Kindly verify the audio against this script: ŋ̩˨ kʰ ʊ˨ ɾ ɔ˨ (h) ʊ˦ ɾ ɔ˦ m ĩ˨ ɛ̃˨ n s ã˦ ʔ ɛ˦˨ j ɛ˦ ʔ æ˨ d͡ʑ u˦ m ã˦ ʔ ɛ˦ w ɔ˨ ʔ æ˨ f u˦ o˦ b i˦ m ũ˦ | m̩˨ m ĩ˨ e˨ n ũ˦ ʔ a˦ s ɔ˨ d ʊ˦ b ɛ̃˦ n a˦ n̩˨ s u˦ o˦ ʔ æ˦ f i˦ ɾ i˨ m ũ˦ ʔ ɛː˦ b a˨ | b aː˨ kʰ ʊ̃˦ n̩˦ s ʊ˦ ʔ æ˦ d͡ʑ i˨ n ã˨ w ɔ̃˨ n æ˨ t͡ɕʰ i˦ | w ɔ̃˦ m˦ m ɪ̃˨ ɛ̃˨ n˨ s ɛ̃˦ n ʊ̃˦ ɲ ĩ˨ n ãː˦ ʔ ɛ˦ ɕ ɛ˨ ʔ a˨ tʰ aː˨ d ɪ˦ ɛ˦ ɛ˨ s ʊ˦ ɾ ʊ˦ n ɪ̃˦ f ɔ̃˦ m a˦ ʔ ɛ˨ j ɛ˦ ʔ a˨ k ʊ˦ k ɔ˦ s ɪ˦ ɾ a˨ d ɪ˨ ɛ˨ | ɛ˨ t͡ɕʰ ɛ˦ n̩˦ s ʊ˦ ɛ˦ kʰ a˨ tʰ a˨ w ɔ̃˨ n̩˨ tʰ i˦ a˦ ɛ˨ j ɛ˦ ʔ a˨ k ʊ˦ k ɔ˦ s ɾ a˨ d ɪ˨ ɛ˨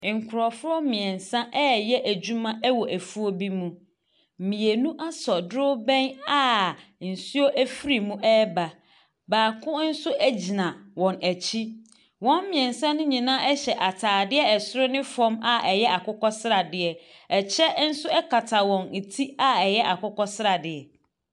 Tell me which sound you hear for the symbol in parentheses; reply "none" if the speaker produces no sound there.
f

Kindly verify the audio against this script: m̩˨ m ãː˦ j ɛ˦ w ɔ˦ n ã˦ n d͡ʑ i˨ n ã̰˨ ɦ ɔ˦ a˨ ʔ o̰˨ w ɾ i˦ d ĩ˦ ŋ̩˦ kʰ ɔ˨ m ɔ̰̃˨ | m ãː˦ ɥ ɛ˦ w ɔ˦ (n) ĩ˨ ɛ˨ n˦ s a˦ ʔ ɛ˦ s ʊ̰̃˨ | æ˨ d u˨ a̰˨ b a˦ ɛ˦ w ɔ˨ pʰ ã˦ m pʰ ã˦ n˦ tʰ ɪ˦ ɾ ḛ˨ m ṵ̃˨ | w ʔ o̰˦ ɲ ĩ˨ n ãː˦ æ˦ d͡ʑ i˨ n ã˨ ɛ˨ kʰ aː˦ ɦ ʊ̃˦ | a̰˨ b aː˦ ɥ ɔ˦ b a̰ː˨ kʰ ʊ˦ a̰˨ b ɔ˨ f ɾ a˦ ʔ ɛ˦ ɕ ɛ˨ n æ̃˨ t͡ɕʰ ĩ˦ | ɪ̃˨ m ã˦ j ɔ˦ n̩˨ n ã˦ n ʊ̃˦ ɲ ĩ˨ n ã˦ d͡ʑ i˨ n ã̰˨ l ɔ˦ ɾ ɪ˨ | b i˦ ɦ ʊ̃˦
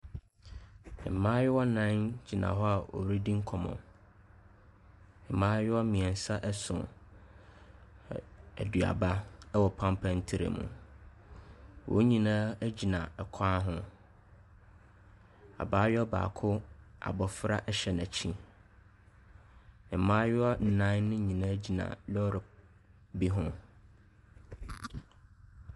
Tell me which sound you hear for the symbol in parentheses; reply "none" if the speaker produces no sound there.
m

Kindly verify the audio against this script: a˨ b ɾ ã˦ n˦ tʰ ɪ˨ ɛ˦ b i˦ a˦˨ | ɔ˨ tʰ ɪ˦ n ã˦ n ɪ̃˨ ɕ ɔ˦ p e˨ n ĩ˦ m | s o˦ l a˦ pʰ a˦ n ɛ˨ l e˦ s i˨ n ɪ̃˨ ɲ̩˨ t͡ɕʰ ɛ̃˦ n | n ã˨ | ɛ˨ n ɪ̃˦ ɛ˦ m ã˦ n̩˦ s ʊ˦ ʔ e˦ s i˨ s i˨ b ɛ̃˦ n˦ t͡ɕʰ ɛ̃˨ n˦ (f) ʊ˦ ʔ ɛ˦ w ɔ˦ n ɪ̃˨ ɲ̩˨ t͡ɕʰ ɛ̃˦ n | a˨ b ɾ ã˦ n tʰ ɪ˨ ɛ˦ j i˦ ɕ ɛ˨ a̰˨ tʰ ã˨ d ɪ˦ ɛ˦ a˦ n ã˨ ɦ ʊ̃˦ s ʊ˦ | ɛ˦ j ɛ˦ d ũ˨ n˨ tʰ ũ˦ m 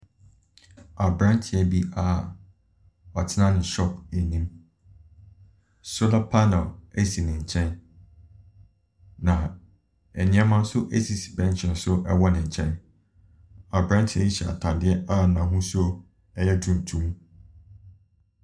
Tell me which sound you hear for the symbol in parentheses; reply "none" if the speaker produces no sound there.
s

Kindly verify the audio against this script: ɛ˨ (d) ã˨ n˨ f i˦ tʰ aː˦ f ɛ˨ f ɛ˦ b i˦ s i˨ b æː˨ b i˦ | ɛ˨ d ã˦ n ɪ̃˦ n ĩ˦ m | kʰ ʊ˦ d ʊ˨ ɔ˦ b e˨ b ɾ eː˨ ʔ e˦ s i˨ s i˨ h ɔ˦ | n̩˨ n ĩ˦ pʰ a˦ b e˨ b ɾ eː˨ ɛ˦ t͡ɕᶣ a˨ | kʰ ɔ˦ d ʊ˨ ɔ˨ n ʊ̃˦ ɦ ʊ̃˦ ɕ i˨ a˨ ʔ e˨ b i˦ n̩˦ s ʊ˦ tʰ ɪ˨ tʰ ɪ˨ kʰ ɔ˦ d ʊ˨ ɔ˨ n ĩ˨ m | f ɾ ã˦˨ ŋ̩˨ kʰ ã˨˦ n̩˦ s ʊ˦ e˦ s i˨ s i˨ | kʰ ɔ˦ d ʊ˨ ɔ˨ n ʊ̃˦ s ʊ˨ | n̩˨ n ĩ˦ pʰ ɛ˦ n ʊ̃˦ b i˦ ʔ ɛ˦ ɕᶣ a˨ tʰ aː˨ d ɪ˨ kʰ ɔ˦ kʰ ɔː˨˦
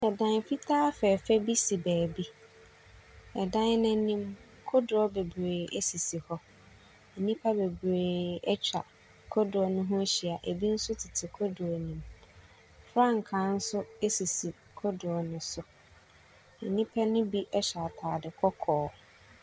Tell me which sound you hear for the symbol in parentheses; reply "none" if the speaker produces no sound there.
d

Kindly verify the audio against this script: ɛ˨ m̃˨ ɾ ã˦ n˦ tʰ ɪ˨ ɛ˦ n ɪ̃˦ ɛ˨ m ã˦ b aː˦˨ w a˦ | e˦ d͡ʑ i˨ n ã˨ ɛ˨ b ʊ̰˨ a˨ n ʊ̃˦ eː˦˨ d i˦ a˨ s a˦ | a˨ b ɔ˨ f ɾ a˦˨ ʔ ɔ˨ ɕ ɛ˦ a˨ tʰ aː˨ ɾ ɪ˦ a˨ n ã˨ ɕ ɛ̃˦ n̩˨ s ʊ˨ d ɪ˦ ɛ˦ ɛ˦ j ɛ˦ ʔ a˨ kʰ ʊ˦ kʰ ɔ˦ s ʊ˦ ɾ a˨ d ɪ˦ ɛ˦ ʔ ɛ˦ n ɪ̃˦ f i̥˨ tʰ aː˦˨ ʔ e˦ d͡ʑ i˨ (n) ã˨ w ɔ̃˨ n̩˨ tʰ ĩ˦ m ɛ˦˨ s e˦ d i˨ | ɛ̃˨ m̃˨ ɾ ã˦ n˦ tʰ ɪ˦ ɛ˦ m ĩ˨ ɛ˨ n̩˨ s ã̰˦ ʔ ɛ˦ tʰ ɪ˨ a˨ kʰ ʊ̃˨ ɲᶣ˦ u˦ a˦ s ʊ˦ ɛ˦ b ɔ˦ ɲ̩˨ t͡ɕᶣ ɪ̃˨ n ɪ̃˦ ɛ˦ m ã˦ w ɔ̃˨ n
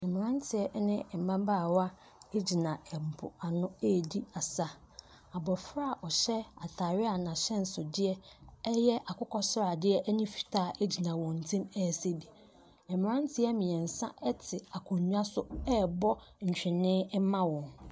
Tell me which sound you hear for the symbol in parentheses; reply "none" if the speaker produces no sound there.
n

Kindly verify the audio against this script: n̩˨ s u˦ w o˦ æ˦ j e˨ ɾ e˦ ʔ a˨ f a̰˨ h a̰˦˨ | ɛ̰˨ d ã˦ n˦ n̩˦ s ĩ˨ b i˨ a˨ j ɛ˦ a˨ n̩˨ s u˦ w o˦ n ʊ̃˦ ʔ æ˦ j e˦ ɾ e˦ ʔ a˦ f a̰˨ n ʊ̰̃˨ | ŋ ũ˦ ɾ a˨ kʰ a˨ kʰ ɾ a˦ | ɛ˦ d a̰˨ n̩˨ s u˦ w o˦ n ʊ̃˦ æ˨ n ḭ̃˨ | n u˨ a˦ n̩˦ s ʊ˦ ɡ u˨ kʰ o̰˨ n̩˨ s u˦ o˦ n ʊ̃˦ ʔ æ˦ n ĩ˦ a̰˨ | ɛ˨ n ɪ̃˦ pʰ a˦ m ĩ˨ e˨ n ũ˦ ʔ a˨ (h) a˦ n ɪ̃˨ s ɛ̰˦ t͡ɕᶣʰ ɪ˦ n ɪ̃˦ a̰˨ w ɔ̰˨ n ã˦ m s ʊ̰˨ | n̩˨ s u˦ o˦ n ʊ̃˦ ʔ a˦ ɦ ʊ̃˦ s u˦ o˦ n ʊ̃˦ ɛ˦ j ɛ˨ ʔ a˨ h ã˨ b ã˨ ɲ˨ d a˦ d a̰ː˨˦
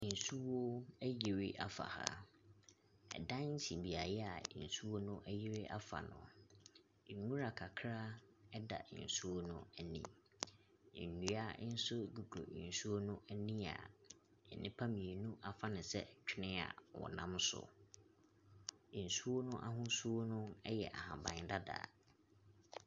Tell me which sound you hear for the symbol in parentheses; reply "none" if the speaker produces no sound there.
f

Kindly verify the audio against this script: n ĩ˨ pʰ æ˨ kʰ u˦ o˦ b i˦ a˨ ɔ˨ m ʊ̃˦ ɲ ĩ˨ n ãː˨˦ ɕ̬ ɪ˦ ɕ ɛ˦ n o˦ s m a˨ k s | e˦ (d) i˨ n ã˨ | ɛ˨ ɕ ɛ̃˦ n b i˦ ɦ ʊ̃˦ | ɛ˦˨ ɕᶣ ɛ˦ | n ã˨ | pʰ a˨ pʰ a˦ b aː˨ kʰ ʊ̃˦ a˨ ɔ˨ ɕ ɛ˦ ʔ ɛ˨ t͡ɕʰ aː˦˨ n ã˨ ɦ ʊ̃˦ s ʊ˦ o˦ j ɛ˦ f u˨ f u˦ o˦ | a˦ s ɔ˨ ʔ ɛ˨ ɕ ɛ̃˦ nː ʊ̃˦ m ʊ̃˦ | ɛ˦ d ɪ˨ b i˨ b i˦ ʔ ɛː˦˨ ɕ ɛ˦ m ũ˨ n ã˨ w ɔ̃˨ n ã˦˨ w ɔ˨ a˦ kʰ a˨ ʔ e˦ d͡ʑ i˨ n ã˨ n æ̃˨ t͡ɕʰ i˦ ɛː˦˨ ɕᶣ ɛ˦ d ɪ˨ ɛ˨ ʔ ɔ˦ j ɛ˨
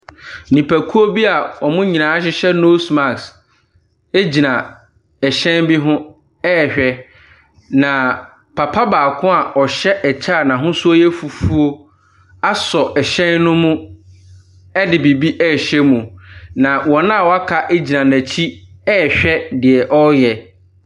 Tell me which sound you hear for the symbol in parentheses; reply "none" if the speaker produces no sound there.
d͡ʑ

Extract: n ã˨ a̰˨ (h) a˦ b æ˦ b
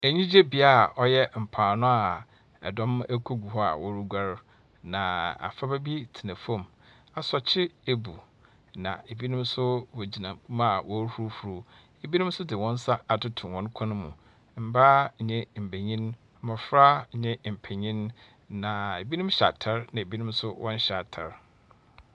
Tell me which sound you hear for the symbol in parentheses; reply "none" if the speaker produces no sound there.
f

